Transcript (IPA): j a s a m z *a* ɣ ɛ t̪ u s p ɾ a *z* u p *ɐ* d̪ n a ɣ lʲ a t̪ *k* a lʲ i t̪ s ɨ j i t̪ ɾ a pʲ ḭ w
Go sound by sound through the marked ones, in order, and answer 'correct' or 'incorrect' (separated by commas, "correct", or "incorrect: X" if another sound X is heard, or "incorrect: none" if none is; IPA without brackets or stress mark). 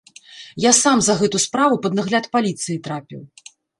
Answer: incorrect: ɐ, incorrect: v, correct, incorrect: p